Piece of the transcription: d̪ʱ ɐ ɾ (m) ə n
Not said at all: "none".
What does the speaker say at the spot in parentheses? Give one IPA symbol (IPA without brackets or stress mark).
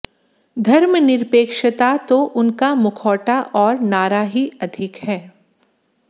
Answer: m